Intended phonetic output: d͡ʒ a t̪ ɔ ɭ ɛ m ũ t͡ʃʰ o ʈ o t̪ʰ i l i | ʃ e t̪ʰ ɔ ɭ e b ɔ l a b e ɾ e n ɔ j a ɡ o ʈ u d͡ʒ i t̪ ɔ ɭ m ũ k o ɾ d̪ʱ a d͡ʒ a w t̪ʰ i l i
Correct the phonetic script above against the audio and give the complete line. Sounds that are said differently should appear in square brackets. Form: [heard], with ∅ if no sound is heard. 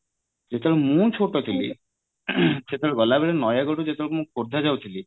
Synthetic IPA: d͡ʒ [e] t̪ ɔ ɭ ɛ m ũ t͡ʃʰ o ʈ o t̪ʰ i l i | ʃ e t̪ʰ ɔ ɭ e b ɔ l a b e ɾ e n ɔ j a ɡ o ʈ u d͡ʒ [e] t̪ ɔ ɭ m ũ k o ɾ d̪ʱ a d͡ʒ a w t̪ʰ i l i